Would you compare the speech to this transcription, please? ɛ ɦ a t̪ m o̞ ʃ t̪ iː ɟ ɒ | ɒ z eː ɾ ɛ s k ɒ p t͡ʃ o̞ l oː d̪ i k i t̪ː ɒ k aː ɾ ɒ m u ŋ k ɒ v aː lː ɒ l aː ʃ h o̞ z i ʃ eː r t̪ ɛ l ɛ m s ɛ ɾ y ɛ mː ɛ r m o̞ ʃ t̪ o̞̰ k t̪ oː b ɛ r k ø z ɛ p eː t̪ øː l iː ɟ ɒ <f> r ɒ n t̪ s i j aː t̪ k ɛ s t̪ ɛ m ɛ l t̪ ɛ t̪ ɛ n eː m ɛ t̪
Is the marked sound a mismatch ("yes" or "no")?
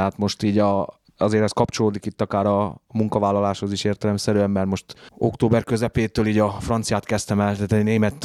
no